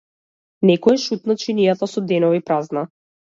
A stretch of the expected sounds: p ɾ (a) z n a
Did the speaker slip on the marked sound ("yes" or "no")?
no